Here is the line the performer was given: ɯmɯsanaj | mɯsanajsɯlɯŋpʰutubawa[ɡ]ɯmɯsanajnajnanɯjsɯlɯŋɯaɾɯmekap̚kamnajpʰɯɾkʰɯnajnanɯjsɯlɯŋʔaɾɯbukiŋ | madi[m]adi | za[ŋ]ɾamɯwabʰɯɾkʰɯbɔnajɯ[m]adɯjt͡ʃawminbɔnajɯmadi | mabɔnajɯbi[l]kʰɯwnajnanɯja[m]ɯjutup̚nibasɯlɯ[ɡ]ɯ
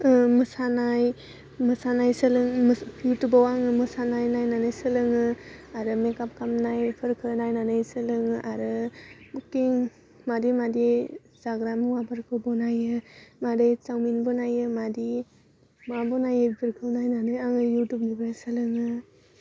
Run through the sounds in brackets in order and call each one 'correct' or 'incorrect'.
incorrect: ŋ, correct, incorrect: ɡ, correct, incorrect: ɾ, incorrect: ŋ, incorrect: ŋ

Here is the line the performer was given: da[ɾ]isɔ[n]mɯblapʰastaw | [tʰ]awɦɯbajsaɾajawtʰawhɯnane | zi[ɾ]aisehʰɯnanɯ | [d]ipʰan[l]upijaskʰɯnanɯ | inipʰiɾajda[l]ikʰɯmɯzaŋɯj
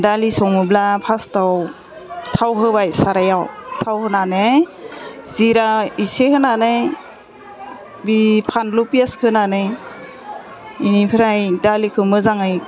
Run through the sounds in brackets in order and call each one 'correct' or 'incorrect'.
incorrect: l, incorrect: ŋ, correct, correct, incorrect: b, correct, correct

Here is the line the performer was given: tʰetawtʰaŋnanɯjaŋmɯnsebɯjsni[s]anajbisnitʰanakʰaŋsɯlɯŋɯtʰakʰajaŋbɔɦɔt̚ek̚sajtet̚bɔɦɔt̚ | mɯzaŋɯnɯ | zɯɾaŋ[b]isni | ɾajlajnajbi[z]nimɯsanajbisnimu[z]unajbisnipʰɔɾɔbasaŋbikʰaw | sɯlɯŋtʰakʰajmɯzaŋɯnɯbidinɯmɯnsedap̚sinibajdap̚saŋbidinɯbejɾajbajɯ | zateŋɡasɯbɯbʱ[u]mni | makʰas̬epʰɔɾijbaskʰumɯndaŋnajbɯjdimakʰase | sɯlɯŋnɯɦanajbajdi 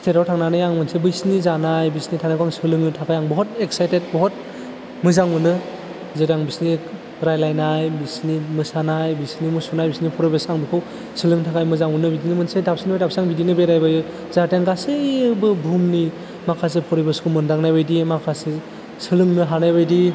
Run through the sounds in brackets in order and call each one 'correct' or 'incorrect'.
incorrect: z, correct, incorrect: s, incorrect: s, correct

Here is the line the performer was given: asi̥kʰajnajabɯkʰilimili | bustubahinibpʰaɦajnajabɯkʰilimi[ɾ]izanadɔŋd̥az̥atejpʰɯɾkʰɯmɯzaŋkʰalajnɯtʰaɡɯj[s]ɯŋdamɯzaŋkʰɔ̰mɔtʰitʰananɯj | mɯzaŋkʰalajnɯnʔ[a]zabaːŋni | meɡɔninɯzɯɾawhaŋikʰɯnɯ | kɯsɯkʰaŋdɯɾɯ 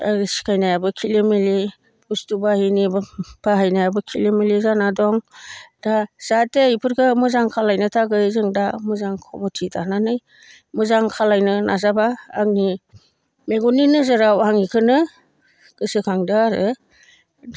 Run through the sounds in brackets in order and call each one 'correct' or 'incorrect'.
incorrect: l, incorrect: z, correct

